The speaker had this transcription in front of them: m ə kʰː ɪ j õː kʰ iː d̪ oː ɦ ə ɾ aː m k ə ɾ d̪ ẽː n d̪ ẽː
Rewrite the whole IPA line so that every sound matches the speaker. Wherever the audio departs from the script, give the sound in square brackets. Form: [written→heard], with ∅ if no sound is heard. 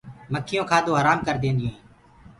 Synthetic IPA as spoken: m ə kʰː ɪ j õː kʰ [iː→aː] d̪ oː ɦ ə ɾ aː m k ə ɾ d̪ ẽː n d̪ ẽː